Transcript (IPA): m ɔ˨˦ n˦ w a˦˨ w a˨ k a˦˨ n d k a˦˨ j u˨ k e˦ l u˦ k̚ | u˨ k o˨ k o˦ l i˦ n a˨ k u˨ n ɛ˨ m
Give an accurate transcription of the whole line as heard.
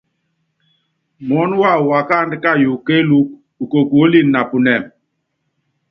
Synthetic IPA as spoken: m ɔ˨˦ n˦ w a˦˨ w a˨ k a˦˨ n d k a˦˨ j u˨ k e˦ l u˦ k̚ | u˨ k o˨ k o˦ l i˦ n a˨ p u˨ n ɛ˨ m